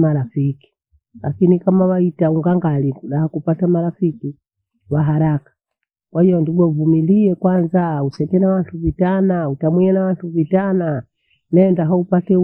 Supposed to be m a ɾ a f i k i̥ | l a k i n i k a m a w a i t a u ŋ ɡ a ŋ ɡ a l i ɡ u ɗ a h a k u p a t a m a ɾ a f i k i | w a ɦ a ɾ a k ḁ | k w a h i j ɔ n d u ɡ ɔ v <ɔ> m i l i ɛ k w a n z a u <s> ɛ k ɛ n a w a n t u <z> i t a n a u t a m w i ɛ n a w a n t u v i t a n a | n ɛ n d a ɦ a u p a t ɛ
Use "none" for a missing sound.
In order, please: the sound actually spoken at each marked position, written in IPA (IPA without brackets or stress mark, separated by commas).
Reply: u, s, v